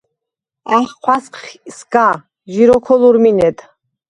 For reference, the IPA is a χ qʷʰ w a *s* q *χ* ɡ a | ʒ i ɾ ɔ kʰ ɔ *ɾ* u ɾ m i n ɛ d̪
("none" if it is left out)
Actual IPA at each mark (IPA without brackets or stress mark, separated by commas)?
s, s, l